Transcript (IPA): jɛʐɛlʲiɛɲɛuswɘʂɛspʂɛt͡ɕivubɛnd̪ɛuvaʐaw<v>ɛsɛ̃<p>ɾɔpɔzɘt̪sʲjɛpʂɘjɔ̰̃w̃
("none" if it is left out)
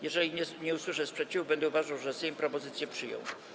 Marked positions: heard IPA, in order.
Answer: ʐ, p

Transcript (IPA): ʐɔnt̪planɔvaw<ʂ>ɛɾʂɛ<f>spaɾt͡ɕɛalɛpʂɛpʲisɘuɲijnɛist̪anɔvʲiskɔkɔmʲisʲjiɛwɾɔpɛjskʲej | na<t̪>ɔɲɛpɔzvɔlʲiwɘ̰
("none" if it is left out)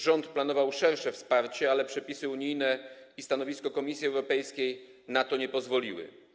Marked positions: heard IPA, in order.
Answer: ʂ, f, t̪

